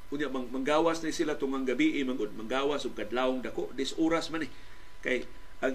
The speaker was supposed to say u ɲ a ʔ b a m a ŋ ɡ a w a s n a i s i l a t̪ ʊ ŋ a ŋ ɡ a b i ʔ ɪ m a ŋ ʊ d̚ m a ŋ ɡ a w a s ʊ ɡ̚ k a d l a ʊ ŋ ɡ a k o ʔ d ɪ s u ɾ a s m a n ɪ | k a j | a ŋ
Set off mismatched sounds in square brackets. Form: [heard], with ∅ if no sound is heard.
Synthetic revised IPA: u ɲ a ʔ [m] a m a ŋ ɡ a w a s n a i s i l a t̪ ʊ ŋ a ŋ ɡ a b i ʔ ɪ m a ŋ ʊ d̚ m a ŋ ɡ a w a s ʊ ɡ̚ k a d l a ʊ ŋ [d] a k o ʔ d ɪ s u ɾ a s m a n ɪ | k a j | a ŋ